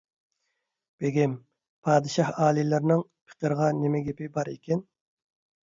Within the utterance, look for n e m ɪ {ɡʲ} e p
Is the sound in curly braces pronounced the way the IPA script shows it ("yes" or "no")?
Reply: yes